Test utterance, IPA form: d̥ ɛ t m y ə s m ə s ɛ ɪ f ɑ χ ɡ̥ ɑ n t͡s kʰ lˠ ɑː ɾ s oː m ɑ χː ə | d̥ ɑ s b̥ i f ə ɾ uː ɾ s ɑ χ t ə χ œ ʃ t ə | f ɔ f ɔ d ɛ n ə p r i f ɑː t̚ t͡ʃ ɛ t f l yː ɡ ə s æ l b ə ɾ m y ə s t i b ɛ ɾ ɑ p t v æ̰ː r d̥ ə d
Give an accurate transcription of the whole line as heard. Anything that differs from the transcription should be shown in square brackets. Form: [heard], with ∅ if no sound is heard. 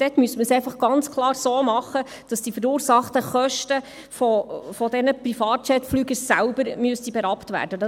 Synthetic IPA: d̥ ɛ t m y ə s m ə s ɛ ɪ f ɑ χ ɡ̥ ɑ n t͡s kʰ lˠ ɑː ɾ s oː m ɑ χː ə | d̥ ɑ s [d̥] i f ə ɾ uː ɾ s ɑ χ t ə χ œ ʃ t ə | f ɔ f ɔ d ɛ n ə p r i f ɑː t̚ t͡ʃ ɛ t f l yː ɡ ə s æ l b ə ɾ m y ə s t i b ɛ ɾ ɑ p t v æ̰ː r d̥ ə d

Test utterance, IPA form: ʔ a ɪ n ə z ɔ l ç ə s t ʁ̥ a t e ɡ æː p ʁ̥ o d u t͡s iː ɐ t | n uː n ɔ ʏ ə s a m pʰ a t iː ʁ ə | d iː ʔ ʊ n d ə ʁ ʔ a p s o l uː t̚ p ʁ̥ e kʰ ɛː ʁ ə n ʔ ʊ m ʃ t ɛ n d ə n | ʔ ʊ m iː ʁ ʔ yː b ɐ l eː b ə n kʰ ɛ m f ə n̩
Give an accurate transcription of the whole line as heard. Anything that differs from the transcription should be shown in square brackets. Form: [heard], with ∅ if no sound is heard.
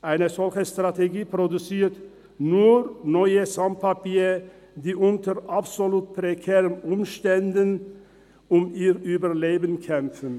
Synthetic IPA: ʔ a ɪ n ə z ɔ l ç ə s t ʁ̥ a t e ɡ [iː] p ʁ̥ o d u t͡s iː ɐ t | n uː n ɔ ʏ ə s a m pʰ a [p] iː ʁ ə | d iː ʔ ʊ n [t] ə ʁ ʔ a p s o l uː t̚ p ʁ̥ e kʰ ɛː ʁ ə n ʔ ʊ m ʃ t ɛ n d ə n | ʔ ʊ m iː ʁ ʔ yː b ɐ l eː b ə n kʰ ɛ m f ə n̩

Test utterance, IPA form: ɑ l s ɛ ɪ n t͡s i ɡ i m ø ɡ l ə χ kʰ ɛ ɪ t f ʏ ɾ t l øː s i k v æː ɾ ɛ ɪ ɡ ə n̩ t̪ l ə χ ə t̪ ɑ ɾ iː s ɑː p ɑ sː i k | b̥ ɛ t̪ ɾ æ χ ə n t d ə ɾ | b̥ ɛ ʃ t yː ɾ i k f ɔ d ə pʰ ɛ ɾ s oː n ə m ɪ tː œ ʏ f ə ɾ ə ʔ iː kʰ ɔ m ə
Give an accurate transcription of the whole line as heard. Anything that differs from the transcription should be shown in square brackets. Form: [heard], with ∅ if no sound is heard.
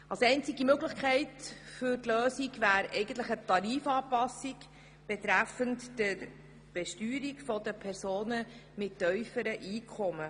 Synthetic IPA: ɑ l s ɛ ɪ n t͡s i ɡ i m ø ɡ l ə χ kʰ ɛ ɪ t f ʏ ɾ t l øː s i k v æː ɾ ɛ ɪ ɡ ə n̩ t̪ l ə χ ə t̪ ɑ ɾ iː [f] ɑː p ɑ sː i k | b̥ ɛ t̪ ɾ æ [f] ə n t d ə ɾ | b̥ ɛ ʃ t yː ɾ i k f ɔ d ə pʰ ɛ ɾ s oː n ə m ɪ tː œ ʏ f ə ɾ ə ʔ iː kʰ ɔ m ə

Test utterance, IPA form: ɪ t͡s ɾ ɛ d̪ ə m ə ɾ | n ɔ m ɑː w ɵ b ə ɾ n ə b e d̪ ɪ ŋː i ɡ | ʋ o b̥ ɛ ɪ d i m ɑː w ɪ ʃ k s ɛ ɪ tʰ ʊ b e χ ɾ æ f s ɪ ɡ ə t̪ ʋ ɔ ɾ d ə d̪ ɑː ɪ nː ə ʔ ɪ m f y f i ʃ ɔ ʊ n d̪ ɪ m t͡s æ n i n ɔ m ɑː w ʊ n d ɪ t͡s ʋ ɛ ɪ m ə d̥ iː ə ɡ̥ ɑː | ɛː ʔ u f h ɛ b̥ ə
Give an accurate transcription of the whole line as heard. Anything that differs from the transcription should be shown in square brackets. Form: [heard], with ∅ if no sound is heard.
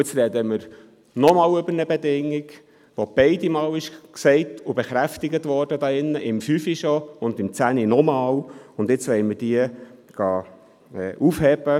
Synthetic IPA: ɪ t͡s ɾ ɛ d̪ ə m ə ɾ | n ɔ m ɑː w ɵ b ə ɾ n ə b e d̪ ɪ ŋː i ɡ | ʋ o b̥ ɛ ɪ d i m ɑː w ɪ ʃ k s ɛ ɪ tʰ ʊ b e χ ɾ æ f [t] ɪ ɡ ə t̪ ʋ ɔ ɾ d ə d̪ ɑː ɪ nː ə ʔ ɪ m f y f i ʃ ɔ ʊ n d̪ ɪ m t͡s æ n i n ɔ m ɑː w ʊ n d ɪ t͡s ʋ ɛ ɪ m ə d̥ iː ə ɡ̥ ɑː | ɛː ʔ u f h ɛ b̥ ə

